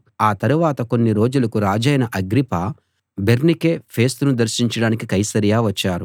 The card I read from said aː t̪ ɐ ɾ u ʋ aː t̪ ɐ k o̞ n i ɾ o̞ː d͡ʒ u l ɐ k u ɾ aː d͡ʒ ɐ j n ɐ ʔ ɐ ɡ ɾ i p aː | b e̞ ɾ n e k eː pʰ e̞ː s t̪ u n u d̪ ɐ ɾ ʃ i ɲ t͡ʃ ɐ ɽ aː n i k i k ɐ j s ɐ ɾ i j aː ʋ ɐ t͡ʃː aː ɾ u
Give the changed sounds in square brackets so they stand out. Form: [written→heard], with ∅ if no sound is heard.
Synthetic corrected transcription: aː t̪ ɐ ɾ u ʋ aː t̪ ɐ k o̞ [n→nː] i ɾ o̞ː d͡ʒ u l ɐ k u ɾ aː d͡ʒ ɐ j n ɐ ʔ ɐ ɡ ɾ i p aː | b e̞ ɾ n [e→i] k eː pʰ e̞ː s t̪ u n u d̪ ɐ ɾ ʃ i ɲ t͡ʃ ɐ ɽ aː n i k i k ɐ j s ɐ ɾ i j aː ʋ ɐ t͡ʃː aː ɾ u

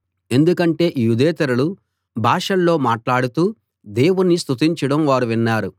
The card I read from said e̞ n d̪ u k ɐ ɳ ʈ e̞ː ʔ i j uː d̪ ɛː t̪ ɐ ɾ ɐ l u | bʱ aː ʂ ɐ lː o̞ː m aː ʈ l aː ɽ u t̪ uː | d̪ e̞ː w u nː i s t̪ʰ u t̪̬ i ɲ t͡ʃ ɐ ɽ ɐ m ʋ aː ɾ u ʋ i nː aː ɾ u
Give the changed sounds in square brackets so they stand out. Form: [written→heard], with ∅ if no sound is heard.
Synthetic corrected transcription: e̞ n d̪ u k ɐ ɳ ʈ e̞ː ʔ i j [uː→u] d̪ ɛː t̪ ɐ ɾ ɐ l u | bʱ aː ʂ ɐ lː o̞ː m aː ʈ l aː ɽ u t̪ uː | d̪ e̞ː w u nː i s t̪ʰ u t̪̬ i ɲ t͡ʃ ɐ ɽ ɐ m ʋ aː ɾ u ʋ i nː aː ɾ u

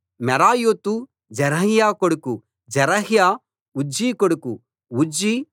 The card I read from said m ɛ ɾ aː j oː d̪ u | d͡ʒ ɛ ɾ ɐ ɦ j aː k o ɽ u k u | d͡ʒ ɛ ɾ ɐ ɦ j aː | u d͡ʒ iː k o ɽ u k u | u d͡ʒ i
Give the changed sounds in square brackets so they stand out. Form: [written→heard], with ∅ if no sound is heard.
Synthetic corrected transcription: m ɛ ɾ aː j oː [d̪→t̪] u | d͡ʒ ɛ ɾ ɐ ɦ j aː k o ɽ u k u | d͡ʒ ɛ ɾ ɐ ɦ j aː | u d͡ʒ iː k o ɽ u k u | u d͡ʒ i

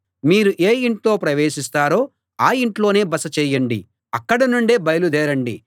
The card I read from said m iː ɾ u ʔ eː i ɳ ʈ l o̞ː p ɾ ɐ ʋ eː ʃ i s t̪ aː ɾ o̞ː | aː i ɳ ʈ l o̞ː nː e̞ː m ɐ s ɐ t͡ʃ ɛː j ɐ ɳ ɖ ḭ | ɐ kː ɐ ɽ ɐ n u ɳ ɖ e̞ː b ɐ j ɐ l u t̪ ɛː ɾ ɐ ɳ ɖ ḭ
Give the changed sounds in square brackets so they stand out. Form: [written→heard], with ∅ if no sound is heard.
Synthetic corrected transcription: m iː ɾ u ʔ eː i ɳ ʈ l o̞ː p ɾ ɐ ʋ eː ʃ i s t̪ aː ɾ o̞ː | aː i ɳ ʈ l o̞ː [nː→n] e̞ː [m→b] ɐ s ɐ t͡ʃ ɛː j ɐ ɳ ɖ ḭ | ɐ kː ɐ ɽ ɐ n u ɳ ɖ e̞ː b ɐ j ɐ l u [t̪→d̪] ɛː ɾ ɐ ɳ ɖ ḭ

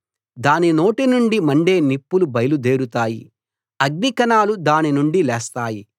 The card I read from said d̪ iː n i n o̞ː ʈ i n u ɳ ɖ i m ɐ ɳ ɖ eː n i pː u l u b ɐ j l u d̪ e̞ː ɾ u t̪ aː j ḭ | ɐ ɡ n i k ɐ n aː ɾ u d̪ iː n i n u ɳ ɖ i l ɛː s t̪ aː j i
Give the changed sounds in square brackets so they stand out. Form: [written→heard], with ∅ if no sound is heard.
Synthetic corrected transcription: d̪ [iː→aː] n i n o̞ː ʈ i n u ɳ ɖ i m ɐ ɳ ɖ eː n i pː u l u b ɐ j l u d̪ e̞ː ɾ u t̪ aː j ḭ | ɐ ɡ n i k ɐ n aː [ɾ→l] u d̪ [iː→aː] n i n u ɳ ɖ i l ɛː s t̪ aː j i

